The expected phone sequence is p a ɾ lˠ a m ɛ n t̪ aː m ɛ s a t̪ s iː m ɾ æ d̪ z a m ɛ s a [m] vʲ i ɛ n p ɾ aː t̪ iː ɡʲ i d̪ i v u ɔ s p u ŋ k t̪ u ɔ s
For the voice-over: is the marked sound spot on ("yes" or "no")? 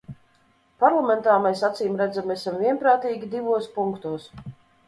yes